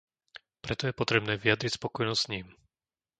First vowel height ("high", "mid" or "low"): mid